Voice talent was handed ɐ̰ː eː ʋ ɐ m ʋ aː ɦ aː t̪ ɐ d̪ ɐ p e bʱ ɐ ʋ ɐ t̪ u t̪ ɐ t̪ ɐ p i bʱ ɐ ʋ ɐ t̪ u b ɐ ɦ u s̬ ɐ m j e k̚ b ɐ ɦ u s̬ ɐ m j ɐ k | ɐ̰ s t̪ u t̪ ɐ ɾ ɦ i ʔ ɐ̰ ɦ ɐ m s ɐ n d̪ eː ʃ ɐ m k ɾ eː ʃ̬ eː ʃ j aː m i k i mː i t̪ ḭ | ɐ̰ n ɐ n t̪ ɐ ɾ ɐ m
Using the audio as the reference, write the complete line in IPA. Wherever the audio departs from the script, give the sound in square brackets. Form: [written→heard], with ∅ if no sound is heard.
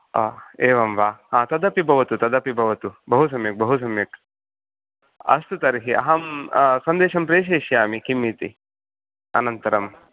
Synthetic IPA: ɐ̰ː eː ʋ ɐ m ʋ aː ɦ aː t̪ ɐ d̪ ɐ p [e→i] bʱ ɐ ʋ ɐ t̪ u t̪ ɐ [t̪→d̪] ɐ p i bʱ ɐ ʋ ɐ t̪ u b ɐ ɦ u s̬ ɐ m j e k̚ b ɐ ɦ u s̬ ɐ m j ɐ k | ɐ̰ s t̪ u t̪ ɐ ɾ ɦ i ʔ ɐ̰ ɦ ɐ m s ɐ n d̪ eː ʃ ɐ m [k→p] ɾ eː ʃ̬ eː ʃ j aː m i k i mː i t̪ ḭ | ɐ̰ n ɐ n t̪ ɐ ɾ ɐ m